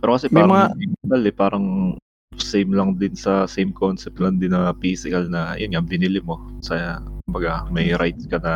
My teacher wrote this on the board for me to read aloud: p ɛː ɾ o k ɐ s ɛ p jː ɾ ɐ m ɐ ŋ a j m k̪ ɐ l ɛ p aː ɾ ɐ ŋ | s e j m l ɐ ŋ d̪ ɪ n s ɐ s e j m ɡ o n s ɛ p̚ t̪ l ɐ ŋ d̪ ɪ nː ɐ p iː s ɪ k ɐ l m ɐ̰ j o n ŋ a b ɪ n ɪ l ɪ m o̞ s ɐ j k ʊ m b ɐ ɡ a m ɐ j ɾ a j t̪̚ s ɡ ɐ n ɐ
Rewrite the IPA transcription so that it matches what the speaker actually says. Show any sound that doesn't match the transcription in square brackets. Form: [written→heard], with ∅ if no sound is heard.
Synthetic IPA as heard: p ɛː ɾ o k ɐ s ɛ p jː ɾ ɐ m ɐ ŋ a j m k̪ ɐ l ɛ p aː ɾ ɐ ŋ | s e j m l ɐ ŋ d̪ ɪ n s ɐ s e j m [ɡ→k] o n s ɛ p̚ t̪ l ɐ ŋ d̪ ɪ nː ɐ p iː s ɪ k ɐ l [m→n] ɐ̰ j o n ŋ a b ɪ n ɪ l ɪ m o̞ s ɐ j k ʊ m b ɐ ɡ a m ɐ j ɾ a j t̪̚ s [ɡ→k] ɐ n ɐ